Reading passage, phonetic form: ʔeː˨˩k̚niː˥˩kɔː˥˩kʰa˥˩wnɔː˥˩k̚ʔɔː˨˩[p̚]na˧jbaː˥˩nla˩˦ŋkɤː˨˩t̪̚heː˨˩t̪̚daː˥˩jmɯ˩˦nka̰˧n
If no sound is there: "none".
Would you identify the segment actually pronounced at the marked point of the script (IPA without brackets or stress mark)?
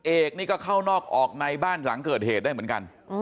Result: k̚